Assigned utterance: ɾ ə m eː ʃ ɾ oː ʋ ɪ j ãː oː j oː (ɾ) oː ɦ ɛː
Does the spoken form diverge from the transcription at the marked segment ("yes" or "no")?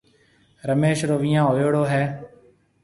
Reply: yes